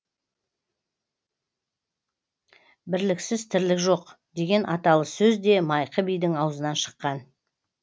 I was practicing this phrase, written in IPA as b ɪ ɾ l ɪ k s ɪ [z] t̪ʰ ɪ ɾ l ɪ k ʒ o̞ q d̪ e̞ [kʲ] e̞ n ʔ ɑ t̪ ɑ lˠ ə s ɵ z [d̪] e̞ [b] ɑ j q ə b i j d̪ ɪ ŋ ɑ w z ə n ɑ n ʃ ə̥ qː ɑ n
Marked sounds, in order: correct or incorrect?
correct, incorrect: ɡʲ, correct, incorrect: m

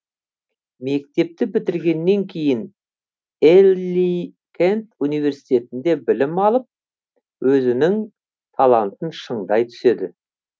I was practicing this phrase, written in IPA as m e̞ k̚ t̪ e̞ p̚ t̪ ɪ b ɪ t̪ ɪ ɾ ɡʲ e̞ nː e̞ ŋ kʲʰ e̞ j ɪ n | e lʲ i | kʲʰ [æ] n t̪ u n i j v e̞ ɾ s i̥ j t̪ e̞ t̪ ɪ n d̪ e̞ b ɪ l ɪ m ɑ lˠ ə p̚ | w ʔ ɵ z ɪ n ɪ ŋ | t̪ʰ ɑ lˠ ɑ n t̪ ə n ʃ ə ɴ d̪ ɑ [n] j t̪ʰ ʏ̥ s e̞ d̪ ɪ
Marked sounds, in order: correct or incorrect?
incorrect: e, incorrect: none

